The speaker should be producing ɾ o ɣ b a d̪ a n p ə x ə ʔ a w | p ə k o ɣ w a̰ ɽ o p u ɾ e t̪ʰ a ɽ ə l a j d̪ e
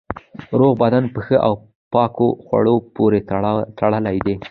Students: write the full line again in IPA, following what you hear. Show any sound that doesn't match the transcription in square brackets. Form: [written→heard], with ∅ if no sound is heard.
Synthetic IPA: ɾ o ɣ b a d̪ a n p ə x ə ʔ a w | p [ə→ɑ] k o [ɣ→x] w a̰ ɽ o p [u→o] ɾ e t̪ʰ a ɽ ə l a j d̪ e